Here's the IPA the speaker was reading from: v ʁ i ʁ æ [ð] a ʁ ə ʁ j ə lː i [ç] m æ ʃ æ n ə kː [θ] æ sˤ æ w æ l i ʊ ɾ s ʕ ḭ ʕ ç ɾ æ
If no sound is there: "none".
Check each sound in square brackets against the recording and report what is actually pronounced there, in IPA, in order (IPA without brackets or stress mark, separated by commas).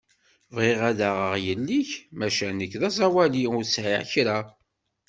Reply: ð, ç, ð